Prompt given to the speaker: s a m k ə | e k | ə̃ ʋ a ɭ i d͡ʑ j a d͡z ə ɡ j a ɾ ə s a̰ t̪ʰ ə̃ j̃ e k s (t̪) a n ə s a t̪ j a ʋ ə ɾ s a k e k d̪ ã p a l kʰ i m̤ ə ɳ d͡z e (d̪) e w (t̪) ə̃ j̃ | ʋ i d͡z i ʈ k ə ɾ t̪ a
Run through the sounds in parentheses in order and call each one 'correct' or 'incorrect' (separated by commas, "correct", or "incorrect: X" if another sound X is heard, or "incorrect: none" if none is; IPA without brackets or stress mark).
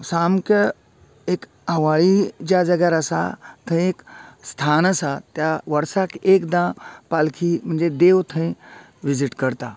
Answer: incorrect: t̪ʰ, correct, incorrect: t̪ʰ